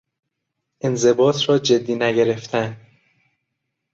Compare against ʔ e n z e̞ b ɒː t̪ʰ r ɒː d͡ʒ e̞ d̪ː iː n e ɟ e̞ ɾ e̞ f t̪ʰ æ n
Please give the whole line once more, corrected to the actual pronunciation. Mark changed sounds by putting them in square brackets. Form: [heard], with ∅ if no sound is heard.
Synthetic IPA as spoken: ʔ e n z e̞ b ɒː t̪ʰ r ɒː d͡ʒ e̞ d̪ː iː n [æ] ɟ e̞ ɾ e̞ f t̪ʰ æ n